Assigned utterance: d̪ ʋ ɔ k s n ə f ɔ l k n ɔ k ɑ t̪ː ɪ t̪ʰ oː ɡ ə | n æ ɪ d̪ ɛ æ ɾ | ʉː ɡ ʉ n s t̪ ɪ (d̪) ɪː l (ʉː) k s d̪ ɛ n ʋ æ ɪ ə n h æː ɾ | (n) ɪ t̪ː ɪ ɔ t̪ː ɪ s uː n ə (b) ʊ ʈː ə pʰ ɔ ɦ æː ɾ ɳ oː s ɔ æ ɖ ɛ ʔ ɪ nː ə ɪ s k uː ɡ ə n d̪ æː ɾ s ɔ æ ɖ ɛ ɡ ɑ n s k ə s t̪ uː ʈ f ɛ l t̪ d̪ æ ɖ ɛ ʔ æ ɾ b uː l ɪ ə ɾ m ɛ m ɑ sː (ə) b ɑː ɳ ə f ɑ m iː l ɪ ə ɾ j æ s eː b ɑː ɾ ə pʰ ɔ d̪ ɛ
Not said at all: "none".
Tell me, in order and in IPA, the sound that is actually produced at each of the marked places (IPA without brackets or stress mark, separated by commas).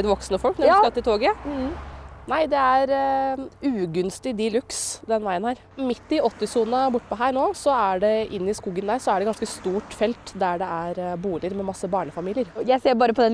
d̪, ʉ, m, b, ə